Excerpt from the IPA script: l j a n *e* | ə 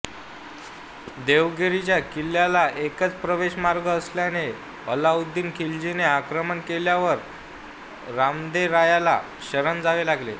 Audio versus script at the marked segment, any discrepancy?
no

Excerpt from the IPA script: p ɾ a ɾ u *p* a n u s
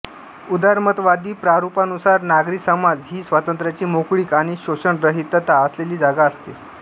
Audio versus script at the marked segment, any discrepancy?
no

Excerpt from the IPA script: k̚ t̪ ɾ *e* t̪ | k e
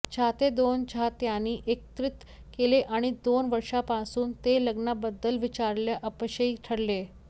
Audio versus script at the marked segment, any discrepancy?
yes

